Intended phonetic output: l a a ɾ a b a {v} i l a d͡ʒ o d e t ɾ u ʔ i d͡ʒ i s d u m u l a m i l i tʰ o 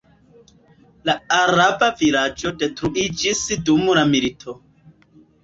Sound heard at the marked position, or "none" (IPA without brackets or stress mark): v